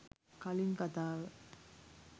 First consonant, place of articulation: velar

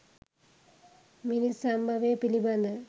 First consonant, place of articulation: labial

